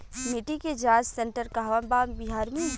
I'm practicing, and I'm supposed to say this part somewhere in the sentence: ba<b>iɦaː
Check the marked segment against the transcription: correct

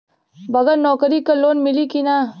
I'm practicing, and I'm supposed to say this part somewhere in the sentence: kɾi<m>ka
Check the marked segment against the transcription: incorrect: none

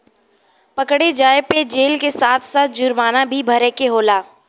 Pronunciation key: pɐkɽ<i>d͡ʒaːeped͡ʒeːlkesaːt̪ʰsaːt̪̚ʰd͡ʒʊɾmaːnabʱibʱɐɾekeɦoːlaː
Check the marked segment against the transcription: incorrect: e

